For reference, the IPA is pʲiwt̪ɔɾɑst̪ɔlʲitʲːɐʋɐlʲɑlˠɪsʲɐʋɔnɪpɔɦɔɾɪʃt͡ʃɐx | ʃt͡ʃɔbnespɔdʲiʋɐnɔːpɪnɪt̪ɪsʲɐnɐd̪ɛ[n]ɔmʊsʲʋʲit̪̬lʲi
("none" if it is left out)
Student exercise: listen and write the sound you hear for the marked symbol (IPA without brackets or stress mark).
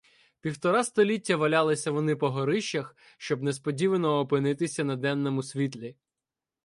nː